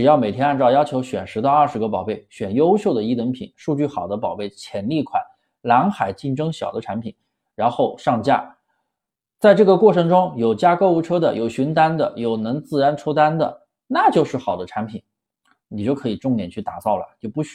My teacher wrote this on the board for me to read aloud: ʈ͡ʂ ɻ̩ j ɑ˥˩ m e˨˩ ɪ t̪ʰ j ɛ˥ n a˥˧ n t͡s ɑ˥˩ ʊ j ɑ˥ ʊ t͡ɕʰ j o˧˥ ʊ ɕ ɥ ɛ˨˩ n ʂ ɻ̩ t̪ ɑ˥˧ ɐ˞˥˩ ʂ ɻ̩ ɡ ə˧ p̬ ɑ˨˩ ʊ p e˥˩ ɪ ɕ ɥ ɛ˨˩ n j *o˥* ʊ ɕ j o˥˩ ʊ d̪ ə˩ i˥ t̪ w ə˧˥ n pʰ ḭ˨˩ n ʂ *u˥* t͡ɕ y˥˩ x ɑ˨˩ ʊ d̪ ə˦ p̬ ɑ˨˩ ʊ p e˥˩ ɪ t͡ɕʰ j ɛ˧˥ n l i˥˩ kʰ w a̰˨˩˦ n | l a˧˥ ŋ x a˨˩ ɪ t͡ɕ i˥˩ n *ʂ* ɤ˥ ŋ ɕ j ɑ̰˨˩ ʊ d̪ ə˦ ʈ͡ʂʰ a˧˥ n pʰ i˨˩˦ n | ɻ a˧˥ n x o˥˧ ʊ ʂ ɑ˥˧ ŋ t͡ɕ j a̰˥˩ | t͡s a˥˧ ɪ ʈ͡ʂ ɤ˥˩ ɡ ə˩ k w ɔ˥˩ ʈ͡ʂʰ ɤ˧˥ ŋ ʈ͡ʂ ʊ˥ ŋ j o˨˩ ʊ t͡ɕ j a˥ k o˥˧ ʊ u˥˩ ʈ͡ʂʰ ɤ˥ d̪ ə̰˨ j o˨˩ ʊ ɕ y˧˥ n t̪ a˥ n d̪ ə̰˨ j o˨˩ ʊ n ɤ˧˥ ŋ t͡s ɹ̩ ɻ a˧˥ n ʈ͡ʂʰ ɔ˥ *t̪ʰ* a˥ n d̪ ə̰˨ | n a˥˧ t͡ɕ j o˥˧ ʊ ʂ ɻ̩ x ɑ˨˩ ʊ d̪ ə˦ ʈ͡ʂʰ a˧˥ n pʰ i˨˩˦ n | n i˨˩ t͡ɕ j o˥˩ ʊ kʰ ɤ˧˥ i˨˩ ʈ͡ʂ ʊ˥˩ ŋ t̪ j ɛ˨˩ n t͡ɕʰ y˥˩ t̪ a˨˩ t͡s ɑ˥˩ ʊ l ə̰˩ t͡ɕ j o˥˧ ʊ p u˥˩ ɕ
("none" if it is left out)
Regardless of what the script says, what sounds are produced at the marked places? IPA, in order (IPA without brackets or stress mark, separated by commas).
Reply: o˥, u˥˧, ʈ͡ʂ, t̪